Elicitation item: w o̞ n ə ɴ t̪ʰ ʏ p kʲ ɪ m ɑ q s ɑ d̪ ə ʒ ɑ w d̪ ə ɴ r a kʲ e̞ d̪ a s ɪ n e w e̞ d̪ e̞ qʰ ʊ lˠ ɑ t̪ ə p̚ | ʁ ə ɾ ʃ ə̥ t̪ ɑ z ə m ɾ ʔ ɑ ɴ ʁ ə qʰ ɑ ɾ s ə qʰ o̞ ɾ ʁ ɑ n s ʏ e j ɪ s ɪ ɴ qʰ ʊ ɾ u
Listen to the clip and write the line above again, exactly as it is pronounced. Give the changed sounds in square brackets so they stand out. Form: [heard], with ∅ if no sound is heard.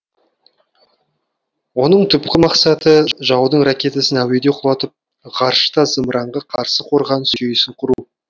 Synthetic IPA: w o̞ n ə ɴ t̪ʰ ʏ p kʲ ɪ m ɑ q s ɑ [t̪] ə ʒ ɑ w d̪ ə ɴ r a kʲ e̞ [t̪] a s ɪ n [æ] w e̞ d̪ e̞ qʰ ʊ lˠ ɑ t̪ ə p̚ | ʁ [ɑ] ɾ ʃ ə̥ t̪ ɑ z ə m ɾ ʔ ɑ ɴ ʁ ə qʰ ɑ ɾ s ə qʰ o̞ ɾ ʁ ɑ n s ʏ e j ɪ s ɪ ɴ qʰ ʊ ɾ u